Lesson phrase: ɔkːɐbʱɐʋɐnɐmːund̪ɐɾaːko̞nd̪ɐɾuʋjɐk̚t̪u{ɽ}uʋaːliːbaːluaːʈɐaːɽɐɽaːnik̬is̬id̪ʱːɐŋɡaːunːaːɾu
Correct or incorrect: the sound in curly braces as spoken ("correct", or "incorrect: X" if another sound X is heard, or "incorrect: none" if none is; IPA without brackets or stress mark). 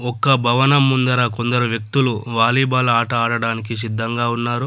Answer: incorrect: l